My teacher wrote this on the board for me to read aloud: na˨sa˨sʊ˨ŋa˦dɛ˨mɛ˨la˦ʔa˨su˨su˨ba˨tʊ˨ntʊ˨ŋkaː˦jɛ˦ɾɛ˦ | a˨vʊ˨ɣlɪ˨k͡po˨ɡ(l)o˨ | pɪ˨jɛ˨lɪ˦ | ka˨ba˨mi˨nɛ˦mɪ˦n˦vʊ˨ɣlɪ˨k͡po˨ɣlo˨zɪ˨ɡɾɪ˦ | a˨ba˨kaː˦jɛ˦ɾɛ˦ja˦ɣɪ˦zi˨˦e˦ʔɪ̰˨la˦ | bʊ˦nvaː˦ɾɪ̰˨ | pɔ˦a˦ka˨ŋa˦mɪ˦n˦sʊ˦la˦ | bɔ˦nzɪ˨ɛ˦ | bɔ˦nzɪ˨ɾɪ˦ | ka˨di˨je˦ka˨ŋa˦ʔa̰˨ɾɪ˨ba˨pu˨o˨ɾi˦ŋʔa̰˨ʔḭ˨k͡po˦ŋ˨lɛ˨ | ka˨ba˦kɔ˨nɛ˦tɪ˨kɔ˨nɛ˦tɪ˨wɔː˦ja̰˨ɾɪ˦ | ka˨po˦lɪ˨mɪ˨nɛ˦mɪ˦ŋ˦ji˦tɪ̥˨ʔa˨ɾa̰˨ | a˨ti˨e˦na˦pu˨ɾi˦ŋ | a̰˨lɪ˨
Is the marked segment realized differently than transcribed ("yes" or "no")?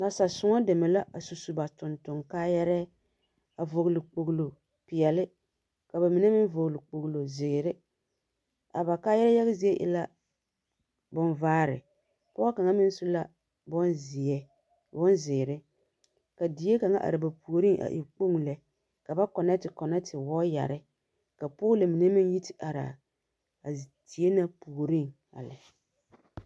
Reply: no